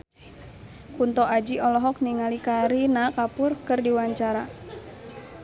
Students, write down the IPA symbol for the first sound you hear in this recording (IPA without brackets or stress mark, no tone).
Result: k